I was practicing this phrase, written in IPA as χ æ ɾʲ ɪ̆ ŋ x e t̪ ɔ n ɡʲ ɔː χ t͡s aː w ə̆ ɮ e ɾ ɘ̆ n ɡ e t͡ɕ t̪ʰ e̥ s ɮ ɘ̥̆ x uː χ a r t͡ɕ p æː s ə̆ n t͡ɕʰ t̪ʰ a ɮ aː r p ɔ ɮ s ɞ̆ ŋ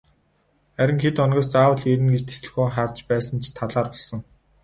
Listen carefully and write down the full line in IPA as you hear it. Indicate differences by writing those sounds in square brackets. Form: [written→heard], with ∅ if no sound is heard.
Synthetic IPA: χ æ ɾʲ ɪ̆ ŋ x e t̪ ɔ n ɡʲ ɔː [χ→s] t͡s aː w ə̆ ɮ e ɾ ɘ̆ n ɡ e t͡ɕ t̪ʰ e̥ s ɮ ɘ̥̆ x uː χ a r t͡ɕ p æː s ə̆ n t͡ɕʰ t̪ʰ a ɮ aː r p ɔ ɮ s ɞ̆ ŋ